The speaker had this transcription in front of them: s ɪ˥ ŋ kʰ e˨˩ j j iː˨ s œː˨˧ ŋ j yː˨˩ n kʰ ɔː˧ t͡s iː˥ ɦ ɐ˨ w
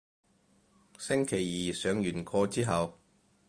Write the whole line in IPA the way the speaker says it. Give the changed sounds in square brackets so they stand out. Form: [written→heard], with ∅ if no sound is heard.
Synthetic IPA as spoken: s ɪ˥ ŋ kʰ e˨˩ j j iː˨ s œː˨˧ ŋ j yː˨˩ n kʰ ɔː˧ t͡s iː˥ ɦ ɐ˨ w